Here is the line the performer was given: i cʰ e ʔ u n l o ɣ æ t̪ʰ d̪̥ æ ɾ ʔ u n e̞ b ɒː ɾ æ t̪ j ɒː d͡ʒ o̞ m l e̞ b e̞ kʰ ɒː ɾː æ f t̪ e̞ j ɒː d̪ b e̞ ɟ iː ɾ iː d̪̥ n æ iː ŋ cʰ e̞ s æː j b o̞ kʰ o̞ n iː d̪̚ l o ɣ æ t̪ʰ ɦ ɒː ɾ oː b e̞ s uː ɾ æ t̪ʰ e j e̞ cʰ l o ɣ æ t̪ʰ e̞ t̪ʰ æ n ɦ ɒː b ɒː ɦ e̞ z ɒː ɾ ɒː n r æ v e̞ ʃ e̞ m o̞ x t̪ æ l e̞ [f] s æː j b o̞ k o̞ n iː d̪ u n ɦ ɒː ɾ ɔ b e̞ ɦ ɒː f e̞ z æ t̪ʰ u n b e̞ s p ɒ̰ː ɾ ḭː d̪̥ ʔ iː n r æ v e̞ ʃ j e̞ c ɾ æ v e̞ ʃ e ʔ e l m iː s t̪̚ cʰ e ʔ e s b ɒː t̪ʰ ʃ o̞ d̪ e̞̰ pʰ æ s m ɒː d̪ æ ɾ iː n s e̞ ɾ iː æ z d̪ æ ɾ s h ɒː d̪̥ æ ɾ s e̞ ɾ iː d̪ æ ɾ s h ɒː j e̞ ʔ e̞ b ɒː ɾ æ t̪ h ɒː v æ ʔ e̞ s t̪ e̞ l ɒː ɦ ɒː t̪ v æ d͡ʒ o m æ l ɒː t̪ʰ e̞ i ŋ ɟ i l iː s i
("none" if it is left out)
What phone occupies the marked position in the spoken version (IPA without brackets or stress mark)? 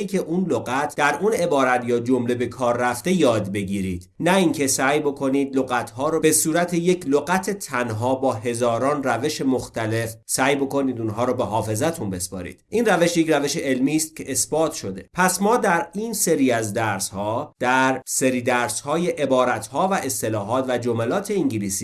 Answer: f